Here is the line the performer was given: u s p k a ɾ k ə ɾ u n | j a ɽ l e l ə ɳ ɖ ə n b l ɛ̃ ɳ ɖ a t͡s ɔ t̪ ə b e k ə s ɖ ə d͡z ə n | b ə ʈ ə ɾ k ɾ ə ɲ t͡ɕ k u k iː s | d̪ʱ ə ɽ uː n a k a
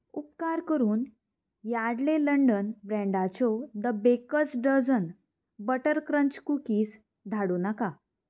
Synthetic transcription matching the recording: u p k a ɾ k ə ɾ uː n | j a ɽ l e l ə ɳ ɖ ə n b ɾ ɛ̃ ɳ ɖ a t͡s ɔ d̪ ə b e k ə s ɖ ə d͡z ə n | b ə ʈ ə ɾ k ɾ ə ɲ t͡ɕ k u k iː s | d̪ʱ a ɽ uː n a k a